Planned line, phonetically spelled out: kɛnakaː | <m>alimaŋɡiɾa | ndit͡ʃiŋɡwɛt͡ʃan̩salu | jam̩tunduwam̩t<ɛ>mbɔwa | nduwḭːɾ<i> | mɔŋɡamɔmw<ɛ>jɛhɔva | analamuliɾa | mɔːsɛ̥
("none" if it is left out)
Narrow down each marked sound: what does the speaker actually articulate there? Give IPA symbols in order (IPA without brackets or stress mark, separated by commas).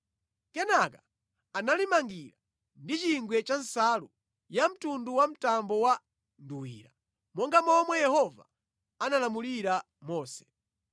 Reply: n, a, a, ɛ